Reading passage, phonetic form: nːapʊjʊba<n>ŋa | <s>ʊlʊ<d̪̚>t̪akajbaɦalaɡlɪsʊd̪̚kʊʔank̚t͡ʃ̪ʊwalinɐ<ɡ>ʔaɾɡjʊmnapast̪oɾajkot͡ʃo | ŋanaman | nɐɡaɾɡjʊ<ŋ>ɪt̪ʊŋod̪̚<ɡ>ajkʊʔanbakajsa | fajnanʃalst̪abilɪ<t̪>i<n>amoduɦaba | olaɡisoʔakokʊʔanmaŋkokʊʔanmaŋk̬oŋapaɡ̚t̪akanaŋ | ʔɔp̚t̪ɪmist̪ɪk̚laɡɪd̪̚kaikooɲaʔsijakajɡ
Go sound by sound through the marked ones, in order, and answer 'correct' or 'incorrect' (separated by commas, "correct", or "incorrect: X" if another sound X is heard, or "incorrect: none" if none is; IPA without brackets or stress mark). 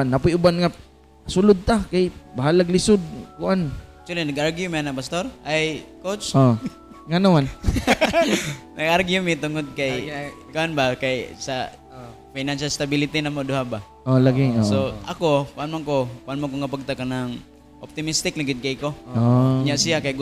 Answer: correct, correct, correct, correct, incorrect: m, incorrect: k, correct, correct